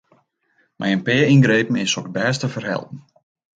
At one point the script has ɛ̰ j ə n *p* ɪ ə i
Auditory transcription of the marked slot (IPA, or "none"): p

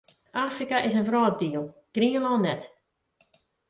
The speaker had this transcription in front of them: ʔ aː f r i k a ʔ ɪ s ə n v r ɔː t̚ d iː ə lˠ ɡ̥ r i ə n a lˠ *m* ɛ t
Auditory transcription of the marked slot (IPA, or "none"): n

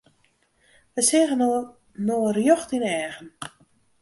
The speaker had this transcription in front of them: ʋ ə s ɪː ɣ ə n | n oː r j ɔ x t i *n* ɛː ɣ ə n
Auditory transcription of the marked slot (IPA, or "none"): n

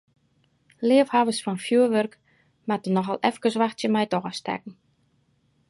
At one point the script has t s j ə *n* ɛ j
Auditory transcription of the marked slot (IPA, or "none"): m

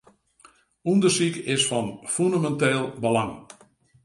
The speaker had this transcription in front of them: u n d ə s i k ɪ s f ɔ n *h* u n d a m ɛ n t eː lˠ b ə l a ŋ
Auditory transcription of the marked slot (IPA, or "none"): f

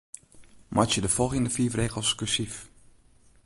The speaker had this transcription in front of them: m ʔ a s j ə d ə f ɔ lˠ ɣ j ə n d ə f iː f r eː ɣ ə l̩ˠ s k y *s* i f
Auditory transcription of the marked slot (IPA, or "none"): s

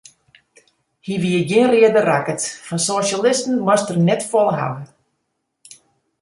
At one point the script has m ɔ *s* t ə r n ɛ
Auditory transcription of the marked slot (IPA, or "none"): s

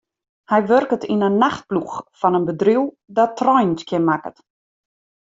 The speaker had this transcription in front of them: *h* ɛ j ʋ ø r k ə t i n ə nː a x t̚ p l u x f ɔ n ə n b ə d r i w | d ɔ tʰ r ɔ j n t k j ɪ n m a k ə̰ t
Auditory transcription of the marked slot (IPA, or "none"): h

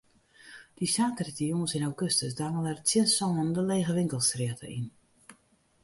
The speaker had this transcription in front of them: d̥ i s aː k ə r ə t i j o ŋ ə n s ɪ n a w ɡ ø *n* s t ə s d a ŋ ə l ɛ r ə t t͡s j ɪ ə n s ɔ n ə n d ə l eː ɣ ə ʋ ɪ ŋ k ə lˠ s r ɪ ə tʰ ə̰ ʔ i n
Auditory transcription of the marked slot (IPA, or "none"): none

